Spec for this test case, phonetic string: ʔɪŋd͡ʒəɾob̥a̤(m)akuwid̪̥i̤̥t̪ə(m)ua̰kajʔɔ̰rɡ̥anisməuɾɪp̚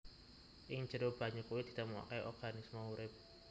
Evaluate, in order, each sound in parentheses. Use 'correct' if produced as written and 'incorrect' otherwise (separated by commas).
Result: incorrect, correct